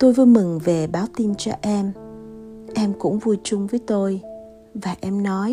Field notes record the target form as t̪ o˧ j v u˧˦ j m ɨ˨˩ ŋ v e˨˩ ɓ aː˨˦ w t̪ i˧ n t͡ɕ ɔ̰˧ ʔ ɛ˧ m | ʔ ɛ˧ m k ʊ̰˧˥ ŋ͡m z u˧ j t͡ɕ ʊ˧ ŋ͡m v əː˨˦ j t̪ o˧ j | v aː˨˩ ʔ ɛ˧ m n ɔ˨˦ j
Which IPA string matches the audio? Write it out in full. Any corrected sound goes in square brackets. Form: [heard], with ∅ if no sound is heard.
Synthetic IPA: t̪ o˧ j v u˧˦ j m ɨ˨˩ ŋ v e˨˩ ɓ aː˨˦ w t̪ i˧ n t͡ɕ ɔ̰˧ ʔ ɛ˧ m | ʔ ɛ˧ m k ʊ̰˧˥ ŋ͡m [v] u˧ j t͡ɕ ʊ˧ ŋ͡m v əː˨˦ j t̪ o˧ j | v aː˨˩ ʔ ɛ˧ m n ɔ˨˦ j